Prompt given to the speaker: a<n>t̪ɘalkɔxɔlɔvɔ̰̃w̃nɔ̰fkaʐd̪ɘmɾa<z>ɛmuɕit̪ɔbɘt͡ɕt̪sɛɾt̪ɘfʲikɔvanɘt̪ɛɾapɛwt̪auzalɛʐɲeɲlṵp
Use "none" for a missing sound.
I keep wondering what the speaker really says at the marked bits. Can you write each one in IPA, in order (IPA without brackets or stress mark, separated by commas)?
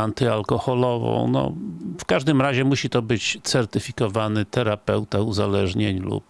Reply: n, ʑ